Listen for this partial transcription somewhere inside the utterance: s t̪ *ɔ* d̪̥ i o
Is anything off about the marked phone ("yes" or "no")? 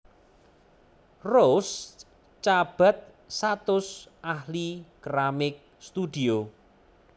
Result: yes